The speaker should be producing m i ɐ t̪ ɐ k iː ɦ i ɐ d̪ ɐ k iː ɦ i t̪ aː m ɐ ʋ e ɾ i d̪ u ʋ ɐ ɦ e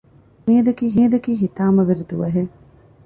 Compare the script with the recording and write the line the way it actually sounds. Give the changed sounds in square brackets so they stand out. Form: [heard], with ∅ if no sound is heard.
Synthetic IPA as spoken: m i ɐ [d̪] ɐ k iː ɦ i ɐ d̪ ɐ k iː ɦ i t̪ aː m ɐ ʋ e ɾ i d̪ u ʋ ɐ ɦ e